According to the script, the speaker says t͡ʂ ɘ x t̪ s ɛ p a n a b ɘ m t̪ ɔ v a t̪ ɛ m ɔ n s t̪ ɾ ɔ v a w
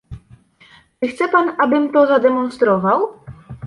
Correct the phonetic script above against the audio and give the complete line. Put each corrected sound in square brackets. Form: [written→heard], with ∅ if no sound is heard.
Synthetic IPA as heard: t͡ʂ ɘ x t̪ s ɛ p a n a b ɘ m t̪ ɔ [v→z] a [t̪→d̪] ɛ m ɔ n s t̪ ɾ ɔ v a w